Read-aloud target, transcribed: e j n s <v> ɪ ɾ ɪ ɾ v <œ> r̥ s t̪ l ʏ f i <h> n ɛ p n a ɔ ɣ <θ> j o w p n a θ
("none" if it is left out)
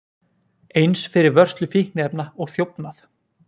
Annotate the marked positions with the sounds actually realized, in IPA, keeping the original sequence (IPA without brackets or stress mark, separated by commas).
f, œ, h, θ